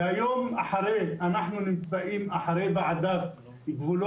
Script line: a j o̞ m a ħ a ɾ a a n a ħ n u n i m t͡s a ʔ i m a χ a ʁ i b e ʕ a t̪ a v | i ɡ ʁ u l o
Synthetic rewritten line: a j o̞ m a ħ a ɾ e a n a ħ n u n i m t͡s a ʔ i m a ħ a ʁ e b e ʕ a d̪ a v | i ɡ v u l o